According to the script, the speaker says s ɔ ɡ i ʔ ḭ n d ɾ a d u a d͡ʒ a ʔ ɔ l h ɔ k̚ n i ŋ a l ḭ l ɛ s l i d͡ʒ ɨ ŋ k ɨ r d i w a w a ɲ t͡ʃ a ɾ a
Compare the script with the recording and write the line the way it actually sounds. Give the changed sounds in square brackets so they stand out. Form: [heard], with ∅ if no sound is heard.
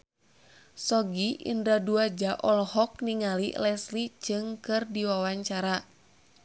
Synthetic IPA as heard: s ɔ ɡ i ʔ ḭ n d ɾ a d u a d͡ʒ a ʔ ɔ l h ɔ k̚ n i ŋ a l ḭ l ɛ s l i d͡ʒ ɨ ŋ k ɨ r d i w a w a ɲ t͡ʃ a ɾ a